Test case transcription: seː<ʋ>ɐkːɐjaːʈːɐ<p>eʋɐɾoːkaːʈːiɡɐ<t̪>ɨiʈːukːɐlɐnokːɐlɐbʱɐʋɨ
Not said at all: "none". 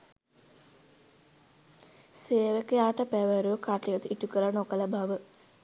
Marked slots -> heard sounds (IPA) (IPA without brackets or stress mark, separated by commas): ʋ, p, t̪